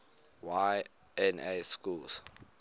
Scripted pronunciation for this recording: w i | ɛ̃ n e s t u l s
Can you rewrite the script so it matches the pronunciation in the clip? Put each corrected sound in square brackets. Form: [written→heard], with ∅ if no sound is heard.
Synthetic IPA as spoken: w [i→a] | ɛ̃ n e s [t→k] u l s